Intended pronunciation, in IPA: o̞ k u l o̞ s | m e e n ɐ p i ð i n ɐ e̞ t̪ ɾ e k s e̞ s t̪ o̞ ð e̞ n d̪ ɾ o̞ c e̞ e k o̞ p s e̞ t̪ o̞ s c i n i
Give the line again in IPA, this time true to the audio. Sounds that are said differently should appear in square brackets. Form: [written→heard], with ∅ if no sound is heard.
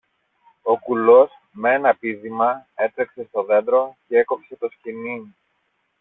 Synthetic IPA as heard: o̞ k u l o̞ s | m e e n ɐ p i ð i [n→m] ɐ e̞ t̪ ɾ e k s e̞ s t̪ o̞ ð e̞ n d̪ ɾ o̞ c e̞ e k o̞ p s e̞ t̪ o̞ s c i n i

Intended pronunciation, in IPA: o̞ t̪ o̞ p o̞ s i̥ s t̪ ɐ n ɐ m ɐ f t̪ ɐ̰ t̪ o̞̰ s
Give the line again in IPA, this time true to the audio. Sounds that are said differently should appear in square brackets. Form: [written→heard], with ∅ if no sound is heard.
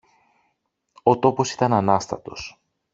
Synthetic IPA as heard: o̞ t̪ o̞ p o̞ s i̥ [s→∅] t̪ ɐ n ɐ [m→n] ɐ [f→s] t̪ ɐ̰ t̪ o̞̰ s

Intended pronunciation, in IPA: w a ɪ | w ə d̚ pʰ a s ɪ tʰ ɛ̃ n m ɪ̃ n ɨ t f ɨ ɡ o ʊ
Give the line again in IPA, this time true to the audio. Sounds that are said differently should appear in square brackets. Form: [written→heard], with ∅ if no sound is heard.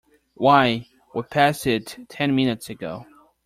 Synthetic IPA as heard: w a ɪ | w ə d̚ pʰ [a→æ] s ɪ tʰ ɛ̃ n m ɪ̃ n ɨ t [f→s] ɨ ɡ o ʊ

